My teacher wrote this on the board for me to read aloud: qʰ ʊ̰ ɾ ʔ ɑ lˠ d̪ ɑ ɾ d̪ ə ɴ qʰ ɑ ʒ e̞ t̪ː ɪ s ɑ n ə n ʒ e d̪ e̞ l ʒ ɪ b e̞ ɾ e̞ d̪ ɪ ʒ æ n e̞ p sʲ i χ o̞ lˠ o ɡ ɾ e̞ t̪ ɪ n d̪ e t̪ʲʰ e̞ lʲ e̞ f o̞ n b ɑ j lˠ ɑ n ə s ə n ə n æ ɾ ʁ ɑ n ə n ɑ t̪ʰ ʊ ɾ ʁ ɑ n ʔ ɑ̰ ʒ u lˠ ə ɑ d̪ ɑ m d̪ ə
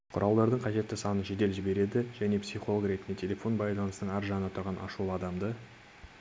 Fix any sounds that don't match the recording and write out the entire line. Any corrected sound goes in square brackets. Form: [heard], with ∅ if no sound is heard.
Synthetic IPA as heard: qʰ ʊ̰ ɾ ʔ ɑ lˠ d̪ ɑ ɾ d̪ ə ɴ qʰ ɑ ʒ e̞ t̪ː ɪ s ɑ n ə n ʒ e d̪ e̞ l ʒ ɪ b e̞ ɾ e̞ d̪ ɪ ʒ æ n e̞ p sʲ i χ o̞ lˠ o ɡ ɾ e̞ t̪ ɪ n d̪ e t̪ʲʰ e̞ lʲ e̞ f o̞ n b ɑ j lˠ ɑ n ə s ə n ə [ɴ] æ ɾ [ʒ] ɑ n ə n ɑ t̪ʰ ʊ ɾ ʁ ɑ n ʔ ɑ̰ [ʃ] u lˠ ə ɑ d̪ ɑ m d̪ ə